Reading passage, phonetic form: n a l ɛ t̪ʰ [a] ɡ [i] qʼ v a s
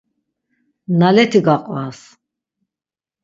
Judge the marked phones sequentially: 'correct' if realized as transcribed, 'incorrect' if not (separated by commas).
incorrect, incorrect